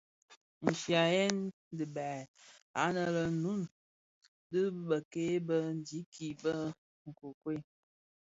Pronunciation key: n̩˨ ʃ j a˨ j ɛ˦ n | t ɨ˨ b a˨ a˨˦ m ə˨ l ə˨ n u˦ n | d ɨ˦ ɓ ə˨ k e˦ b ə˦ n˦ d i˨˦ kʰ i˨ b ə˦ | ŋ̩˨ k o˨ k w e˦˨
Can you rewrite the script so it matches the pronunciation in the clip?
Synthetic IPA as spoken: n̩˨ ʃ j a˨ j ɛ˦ n | d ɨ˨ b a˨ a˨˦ n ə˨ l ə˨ n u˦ n | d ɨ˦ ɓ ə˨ k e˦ b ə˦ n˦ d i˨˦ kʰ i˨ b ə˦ | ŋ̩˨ k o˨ k w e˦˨